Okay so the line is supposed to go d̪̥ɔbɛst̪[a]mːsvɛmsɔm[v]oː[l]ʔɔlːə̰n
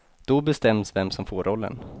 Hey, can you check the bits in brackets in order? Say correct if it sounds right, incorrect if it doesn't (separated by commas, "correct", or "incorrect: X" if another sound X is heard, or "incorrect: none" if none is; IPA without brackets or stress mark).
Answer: incorrect: ɛ, incorrect: f, incorrect: ɾ